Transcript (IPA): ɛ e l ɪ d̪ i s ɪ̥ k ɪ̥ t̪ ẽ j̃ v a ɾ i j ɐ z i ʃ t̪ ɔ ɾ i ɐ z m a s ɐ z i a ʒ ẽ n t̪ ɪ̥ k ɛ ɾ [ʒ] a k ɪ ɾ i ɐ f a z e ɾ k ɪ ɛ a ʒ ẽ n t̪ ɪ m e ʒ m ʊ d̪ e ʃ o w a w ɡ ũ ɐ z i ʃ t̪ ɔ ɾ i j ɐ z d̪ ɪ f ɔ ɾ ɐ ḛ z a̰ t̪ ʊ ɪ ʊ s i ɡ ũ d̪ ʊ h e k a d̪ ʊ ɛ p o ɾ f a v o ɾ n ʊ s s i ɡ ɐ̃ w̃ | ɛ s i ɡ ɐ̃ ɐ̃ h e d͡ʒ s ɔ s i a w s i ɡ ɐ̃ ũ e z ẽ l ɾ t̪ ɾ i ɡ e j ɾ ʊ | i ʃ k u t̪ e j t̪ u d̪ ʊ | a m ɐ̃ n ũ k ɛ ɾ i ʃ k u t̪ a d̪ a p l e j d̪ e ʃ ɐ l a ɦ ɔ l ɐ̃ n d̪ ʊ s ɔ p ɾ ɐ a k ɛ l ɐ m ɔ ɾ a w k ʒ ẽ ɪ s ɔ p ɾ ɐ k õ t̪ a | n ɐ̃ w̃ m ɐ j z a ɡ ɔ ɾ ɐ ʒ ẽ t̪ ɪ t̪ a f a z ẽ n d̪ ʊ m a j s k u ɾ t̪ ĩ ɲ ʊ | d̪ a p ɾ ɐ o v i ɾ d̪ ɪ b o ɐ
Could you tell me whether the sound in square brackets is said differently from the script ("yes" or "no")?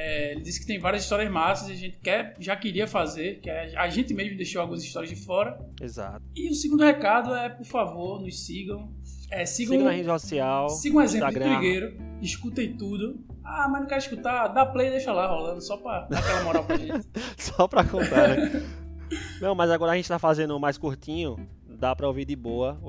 no